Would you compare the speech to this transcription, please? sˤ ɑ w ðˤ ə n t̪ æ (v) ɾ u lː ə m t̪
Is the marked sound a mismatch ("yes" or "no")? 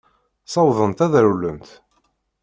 yes